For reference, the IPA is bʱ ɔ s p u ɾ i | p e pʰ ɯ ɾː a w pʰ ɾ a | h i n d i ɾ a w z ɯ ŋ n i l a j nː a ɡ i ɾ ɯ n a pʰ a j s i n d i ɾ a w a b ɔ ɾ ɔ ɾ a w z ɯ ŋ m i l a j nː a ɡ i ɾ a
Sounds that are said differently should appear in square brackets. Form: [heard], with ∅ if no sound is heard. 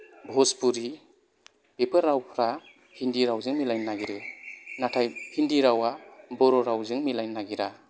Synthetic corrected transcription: bʱ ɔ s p u ɾ i | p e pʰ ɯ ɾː a w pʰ ɾ a | h i n d i ɾ a w z ɯ ŋ [m] i l a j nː a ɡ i ɾ ɯ n a [tʰ] a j [h] i n d i ɾ a w a b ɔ ɾ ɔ ɾ a w z ɯ ŋ m i l a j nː a ɡ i ɾ a